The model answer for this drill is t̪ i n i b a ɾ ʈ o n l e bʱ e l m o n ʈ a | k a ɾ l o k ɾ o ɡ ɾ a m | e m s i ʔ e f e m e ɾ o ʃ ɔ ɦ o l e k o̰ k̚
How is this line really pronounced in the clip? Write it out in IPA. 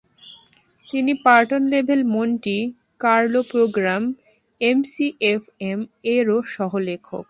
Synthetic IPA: t̪ i n i p a ɾ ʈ o n l e bʱ e l m o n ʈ i | k a ɾ l o p ɾ o ɡ ɾ a m | e m s i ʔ e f e m e ɾ o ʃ ɔ ɦ o l e kʰ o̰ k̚